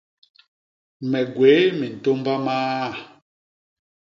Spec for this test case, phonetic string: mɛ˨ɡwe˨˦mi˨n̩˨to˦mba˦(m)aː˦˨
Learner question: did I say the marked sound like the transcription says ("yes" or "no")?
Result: yes